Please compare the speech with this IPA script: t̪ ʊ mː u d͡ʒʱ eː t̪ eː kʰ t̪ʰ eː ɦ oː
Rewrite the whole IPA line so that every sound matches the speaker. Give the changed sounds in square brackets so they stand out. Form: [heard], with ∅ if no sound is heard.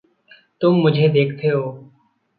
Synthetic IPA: t̪ ʊ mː [ʊ] d͡ʒʱ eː [d̪] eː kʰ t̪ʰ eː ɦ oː